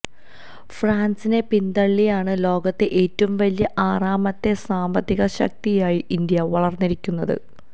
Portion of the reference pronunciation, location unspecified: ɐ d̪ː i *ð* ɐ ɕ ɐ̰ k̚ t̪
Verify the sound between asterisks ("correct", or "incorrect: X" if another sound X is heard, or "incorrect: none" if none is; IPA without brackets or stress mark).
incorrect: ɣ